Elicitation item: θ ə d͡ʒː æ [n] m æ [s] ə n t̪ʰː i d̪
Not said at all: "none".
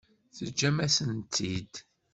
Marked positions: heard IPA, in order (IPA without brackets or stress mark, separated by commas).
none, s